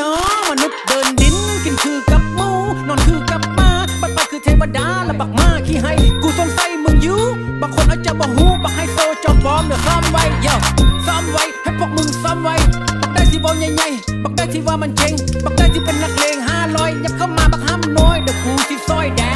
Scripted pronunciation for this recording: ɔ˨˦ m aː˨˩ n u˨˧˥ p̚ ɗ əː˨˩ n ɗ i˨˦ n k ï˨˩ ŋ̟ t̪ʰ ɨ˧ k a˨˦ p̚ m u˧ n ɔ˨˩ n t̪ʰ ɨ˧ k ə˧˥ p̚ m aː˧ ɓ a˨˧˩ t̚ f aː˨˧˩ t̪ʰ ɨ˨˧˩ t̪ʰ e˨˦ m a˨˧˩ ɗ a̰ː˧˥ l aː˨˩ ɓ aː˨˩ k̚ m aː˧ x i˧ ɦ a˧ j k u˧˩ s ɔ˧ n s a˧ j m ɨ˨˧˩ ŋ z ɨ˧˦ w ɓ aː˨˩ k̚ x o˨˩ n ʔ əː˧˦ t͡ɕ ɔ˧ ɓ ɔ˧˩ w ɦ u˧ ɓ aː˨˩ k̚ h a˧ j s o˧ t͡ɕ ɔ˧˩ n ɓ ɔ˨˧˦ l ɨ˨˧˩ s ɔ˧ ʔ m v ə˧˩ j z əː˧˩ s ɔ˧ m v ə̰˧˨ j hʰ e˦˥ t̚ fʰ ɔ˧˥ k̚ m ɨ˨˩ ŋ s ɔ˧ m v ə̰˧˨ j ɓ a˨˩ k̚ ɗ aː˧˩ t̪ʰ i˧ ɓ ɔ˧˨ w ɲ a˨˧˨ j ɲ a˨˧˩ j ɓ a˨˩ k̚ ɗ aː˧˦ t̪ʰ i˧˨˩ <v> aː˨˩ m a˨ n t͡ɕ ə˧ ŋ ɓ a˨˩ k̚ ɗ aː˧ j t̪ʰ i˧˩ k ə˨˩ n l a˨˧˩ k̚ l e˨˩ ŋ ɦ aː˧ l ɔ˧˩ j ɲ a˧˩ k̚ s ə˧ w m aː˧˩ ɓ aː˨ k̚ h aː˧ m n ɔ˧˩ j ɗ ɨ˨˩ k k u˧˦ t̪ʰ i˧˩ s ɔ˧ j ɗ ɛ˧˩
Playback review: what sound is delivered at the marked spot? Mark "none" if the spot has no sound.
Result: v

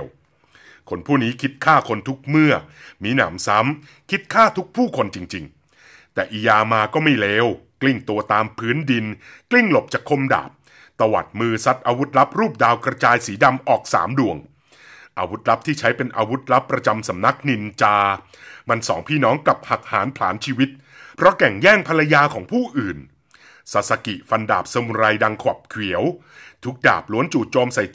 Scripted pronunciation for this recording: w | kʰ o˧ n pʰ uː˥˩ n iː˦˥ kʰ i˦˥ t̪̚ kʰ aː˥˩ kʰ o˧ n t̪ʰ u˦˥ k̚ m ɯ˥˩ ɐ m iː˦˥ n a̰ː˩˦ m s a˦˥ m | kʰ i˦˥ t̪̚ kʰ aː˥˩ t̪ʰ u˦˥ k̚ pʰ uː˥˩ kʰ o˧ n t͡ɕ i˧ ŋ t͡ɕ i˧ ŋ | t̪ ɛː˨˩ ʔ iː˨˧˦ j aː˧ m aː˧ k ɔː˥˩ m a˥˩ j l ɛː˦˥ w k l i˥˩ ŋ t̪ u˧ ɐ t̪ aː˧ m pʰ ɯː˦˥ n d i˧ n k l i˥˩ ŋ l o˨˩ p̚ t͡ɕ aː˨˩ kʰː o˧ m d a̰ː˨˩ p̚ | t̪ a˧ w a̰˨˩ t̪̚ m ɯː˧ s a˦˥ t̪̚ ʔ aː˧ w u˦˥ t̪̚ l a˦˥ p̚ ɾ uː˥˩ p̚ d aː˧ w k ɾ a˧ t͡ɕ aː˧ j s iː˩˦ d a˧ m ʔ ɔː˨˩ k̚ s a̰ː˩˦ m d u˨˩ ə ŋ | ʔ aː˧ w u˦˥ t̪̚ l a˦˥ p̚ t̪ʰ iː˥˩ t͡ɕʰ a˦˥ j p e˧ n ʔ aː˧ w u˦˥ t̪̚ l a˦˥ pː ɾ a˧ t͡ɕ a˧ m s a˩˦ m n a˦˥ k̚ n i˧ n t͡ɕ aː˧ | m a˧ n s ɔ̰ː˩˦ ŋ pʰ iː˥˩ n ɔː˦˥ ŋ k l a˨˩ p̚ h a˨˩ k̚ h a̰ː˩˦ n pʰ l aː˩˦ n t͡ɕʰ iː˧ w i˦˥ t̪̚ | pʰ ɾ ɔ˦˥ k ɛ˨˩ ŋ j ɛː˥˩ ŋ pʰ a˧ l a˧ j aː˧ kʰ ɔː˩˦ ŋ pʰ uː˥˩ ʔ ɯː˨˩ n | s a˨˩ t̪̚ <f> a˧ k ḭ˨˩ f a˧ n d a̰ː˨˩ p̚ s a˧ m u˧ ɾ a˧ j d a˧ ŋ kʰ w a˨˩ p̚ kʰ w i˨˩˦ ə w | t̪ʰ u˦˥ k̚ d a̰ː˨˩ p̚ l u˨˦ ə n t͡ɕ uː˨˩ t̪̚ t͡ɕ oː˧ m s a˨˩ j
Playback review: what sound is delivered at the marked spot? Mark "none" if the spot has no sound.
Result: s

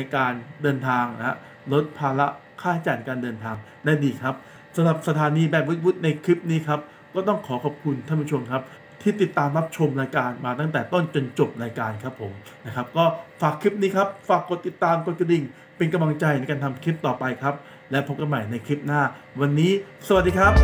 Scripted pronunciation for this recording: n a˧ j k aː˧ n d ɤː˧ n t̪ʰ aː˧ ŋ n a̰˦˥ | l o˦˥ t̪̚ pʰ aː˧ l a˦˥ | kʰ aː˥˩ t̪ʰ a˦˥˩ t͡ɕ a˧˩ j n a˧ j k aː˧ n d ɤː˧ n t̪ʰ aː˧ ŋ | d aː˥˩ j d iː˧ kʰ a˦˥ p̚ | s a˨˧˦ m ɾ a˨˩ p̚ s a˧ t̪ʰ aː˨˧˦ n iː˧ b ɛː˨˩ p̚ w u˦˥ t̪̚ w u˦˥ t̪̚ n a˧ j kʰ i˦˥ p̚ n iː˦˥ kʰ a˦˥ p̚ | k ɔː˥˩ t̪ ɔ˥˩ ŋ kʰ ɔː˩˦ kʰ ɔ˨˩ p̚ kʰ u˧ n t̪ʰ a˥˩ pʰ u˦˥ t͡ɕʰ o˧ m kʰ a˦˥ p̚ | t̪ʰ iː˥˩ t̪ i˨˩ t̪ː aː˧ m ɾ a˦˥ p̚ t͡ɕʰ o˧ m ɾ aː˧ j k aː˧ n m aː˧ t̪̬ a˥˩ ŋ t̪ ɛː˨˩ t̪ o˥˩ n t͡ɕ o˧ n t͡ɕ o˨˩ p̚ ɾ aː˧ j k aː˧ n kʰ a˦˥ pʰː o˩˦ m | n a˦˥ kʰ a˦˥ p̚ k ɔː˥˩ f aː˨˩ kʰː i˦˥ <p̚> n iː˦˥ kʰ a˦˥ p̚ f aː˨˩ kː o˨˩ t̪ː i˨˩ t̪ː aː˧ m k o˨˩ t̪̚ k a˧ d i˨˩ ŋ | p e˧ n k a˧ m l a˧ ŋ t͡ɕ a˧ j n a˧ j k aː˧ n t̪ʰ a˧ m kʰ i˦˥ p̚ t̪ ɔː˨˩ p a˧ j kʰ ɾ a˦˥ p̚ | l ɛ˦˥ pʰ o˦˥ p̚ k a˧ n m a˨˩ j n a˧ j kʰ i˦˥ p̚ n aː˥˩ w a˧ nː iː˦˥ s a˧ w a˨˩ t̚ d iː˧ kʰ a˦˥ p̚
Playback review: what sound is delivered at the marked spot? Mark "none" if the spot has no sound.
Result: p̚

